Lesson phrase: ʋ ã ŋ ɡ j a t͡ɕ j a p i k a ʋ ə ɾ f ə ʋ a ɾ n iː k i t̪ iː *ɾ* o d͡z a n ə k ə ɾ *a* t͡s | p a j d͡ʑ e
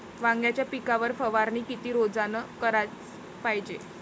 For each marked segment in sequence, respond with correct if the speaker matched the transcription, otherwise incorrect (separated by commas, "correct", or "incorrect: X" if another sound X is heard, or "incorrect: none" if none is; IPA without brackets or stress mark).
correct, correct